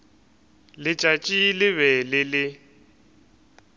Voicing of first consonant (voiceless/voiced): voiced